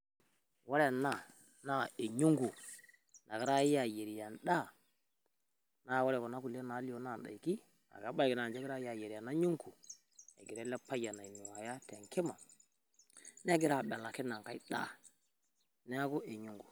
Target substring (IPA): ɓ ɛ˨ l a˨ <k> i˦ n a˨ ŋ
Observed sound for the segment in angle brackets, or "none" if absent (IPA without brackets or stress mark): k